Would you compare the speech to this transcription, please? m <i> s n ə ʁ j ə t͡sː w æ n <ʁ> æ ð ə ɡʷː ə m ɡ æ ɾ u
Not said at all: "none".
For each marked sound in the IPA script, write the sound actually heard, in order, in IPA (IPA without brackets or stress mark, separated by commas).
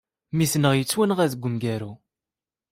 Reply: i, ʁ